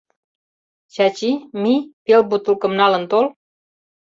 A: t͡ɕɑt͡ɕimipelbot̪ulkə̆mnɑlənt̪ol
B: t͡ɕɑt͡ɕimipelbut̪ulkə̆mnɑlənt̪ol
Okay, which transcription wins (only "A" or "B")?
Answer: B